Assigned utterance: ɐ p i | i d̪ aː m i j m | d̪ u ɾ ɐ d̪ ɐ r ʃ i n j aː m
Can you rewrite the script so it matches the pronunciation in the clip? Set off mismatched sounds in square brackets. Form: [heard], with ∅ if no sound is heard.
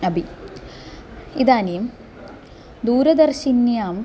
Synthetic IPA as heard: ɐ [b] i | i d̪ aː [n] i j m | d̪ [uː] ɾ ɐ d̪ ɐ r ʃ i n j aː m